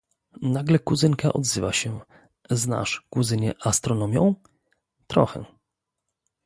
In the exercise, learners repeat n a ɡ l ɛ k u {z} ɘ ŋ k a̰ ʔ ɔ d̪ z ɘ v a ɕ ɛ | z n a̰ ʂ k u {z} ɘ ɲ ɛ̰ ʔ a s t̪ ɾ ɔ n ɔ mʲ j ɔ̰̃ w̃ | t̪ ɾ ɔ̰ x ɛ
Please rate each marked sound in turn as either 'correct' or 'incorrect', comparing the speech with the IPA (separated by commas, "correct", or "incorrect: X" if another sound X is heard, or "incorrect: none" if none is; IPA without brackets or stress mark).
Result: correct, correct